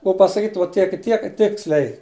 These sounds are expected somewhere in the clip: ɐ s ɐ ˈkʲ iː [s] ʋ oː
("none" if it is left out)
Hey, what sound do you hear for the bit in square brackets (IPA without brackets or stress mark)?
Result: t